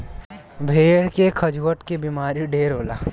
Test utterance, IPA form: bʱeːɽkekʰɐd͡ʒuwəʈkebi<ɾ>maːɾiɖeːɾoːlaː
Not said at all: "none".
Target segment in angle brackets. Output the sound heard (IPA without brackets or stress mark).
none